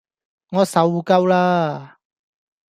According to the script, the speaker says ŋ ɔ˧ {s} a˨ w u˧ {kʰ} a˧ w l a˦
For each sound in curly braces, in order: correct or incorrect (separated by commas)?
correct, incorrect